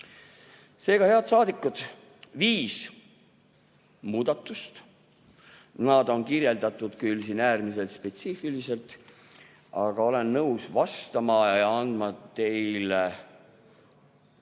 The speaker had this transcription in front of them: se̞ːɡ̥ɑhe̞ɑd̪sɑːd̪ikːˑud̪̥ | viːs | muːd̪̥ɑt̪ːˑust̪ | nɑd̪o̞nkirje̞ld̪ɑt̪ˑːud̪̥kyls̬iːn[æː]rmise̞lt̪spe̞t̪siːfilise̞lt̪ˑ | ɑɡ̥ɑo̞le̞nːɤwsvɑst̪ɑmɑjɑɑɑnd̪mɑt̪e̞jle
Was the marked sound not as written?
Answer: no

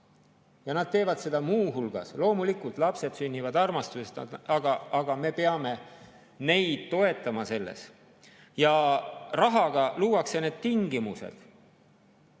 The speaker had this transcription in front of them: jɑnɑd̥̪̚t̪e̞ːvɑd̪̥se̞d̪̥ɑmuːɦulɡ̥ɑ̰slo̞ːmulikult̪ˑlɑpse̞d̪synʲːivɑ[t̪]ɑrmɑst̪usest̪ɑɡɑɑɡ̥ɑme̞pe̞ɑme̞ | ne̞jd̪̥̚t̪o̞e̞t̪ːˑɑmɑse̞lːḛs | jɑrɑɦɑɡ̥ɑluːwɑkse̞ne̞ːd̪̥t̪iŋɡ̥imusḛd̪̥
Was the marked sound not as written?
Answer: yes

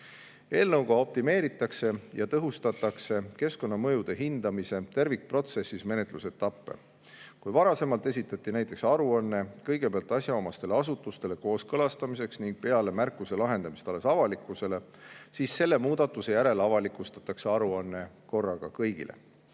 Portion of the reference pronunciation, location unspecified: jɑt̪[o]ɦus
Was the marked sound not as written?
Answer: yes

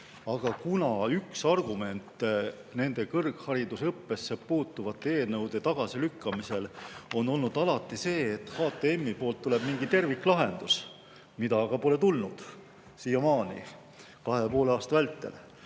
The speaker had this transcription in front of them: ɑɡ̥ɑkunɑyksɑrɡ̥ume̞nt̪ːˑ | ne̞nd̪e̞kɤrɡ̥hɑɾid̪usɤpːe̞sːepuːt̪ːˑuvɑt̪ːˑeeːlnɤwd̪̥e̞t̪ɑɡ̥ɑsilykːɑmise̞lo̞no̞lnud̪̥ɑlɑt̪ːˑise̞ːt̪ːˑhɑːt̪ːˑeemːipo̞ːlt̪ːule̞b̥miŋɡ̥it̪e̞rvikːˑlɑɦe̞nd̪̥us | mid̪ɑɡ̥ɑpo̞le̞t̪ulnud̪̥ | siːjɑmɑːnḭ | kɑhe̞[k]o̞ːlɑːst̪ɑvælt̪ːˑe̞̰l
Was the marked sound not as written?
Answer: yes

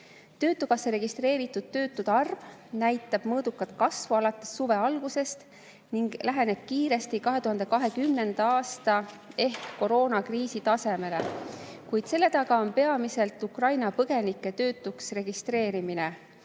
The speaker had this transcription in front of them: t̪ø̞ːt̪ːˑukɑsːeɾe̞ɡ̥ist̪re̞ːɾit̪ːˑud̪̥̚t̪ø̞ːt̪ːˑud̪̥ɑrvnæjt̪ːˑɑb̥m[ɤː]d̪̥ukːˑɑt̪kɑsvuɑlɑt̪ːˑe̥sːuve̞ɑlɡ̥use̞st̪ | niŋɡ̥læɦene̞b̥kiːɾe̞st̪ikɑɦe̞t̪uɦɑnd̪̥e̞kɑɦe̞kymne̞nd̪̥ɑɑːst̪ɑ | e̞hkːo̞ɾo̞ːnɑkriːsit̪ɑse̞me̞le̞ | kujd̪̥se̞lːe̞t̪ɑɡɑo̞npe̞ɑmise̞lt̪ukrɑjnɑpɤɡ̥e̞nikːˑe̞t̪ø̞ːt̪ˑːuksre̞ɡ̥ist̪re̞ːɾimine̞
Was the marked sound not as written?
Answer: no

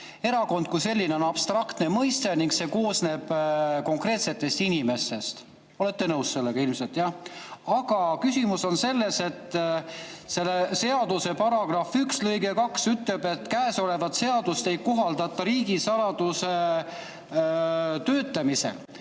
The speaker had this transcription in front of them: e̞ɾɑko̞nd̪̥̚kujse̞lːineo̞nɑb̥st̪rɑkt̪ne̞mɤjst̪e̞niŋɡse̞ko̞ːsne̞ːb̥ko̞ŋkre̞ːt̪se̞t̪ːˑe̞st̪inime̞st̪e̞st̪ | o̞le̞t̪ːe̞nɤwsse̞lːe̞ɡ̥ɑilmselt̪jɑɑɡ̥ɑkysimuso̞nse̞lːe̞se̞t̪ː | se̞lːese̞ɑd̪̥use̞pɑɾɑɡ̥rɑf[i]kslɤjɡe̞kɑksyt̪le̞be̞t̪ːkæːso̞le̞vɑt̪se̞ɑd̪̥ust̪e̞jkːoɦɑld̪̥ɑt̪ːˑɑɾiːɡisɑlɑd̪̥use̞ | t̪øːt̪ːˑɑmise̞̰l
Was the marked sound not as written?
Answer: yes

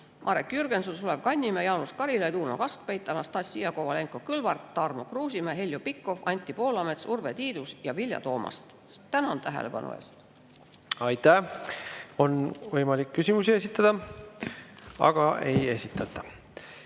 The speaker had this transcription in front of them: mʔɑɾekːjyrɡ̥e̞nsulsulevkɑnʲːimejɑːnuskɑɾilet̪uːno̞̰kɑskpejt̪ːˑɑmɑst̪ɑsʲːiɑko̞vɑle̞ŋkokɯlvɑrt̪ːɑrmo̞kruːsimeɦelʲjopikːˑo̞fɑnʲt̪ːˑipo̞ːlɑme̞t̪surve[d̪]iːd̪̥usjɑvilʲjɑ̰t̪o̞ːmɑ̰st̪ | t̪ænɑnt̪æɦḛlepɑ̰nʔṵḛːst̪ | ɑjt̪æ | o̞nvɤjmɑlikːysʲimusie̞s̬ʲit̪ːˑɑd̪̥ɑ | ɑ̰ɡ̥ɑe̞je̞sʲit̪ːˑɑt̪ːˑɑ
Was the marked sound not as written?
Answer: yes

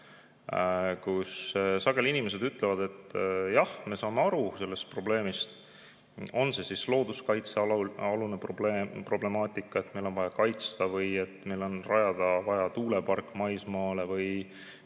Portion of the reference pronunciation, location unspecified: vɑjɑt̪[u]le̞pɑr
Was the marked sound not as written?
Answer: yes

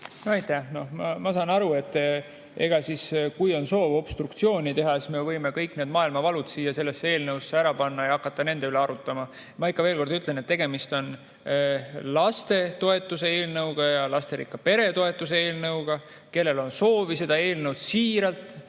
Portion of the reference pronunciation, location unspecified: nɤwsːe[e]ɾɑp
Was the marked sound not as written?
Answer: yes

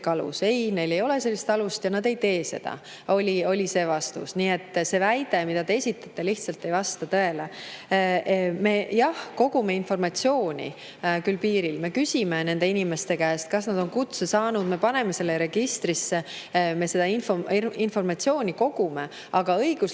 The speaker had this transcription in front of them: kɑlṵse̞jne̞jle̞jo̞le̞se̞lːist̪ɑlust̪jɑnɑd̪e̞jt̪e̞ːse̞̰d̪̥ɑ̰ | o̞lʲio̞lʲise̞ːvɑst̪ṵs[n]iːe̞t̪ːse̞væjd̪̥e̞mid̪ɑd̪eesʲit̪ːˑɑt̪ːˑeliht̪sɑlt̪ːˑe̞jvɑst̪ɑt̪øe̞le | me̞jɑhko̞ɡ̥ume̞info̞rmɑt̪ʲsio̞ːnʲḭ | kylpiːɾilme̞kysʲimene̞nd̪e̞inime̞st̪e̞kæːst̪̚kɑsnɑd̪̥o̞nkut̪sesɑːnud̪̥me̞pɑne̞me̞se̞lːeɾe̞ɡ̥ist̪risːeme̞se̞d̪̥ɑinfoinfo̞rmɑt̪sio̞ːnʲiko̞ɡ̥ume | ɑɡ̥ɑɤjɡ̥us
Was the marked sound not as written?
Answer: no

